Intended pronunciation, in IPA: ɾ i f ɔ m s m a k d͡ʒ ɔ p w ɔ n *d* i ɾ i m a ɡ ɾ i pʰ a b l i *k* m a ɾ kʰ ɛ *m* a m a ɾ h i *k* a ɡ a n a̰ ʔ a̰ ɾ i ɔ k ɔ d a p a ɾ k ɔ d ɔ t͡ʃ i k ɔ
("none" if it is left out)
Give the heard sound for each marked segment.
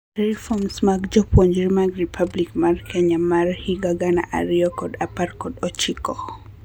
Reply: d͡ʒ, k, ɲ, ɡ

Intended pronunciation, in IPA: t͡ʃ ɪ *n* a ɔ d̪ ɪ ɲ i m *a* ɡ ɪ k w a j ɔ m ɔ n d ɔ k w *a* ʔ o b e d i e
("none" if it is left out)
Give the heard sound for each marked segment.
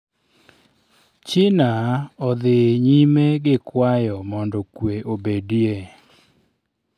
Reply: n, e, e

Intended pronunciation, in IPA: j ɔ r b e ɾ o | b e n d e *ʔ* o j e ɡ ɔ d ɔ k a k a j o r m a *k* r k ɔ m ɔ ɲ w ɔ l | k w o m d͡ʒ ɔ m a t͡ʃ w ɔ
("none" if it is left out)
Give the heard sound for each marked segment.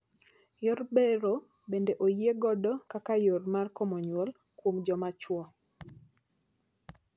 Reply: ʔ, none

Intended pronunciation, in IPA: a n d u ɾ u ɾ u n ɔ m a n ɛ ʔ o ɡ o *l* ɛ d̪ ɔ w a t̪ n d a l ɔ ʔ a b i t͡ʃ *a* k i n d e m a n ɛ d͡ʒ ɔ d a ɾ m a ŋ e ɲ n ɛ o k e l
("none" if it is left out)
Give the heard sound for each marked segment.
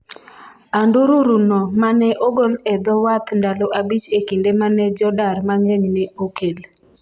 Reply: l, e

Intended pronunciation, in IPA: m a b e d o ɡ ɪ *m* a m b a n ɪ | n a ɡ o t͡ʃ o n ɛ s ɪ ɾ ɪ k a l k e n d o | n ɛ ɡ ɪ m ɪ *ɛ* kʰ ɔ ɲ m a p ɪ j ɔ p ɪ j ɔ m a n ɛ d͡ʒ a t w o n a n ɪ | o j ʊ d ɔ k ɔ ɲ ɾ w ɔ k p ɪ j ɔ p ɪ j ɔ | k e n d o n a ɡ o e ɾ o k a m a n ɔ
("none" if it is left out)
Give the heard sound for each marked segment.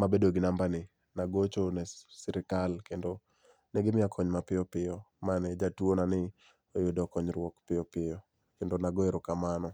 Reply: n, a

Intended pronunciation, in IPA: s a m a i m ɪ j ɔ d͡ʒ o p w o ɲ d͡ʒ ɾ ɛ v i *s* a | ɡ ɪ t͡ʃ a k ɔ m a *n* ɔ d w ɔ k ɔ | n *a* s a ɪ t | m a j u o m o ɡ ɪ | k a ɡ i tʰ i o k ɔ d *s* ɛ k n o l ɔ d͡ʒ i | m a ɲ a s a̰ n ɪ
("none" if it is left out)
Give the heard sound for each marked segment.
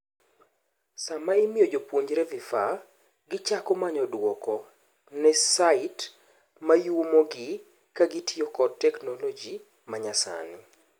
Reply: f, ɲ, ɛ, t

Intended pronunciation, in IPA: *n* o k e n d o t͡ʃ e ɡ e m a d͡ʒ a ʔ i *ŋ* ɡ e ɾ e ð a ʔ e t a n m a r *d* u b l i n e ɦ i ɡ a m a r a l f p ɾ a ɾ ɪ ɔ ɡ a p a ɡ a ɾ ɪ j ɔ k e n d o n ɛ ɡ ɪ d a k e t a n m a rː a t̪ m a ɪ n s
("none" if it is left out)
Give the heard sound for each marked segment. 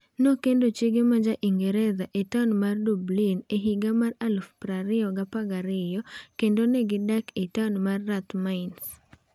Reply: n, ŋ, d

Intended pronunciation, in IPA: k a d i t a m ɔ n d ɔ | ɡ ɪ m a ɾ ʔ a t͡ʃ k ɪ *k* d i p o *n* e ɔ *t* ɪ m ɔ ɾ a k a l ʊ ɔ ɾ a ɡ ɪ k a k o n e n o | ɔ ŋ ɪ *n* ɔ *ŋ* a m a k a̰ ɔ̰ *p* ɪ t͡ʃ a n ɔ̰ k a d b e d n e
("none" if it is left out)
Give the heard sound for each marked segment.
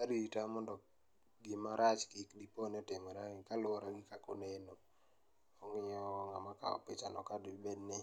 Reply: k, n, t, ɲ, ŋ, p

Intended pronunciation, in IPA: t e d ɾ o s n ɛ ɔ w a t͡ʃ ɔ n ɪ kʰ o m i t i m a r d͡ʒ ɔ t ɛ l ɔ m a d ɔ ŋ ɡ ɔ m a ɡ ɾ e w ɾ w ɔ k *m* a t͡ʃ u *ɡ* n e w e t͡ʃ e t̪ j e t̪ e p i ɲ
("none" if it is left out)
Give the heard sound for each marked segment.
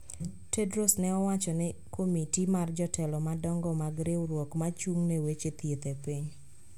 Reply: m, ŋ

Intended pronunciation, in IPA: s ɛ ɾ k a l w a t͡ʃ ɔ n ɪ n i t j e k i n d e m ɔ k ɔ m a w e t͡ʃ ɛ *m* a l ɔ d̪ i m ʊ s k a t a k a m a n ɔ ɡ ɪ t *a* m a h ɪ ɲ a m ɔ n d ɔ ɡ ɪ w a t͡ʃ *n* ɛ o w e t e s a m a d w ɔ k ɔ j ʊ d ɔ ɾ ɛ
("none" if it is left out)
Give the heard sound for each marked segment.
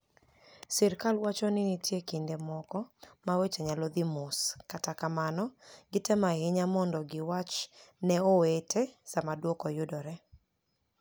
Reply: ɲ, ɛ, n

